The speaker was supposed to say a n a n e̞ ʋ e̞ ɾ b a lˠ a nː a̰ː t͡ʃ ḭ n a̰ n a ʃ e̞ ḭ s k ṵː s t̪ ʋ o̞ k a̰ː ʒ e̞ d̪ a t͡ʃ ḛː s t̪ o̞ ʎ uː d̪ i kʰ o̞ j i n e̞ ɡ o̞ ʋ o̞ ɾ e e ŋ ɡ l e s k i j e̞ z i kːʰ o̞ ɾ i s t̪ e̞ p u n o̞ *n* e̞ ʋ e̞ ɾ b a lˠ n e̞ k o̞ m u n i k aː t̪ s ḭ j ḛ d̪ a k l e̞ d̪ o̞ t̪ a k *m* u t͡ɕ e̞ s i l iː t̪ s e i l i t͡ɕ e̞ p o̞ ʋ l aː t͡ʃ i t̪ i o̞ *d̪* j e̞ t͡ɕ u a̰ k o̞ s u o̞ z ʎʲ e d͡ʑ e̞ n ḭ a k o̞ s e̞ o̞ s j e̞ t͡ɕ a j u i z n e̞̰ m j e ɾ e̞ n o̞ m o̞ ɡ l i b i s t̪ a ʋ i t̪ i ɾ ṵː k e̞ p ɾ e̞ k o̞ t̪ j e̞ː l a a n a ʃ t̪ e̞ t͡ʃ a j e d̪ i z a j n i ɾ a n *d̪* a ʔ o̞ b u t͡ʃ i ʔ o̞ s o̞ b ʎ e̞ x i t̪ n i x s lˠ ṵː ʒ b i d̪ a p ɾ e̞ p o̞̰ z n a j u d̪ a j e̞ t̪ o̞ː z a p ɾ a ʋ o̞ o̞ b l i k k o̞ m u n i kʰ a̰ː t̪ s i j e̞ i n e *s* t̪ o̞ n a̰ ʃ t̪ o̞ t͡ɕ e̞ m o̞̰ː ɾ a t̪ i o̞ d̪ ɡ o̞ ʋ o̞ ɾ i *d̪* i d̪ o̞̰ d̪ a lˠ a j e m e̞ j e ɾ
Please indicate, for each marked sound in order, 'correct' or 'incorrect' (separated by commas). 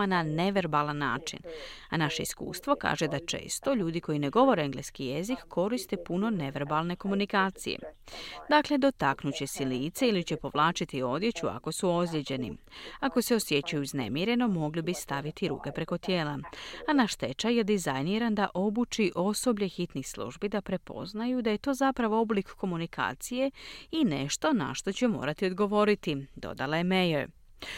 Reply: correct, incorrect, correct, correct, incorrect, incorrect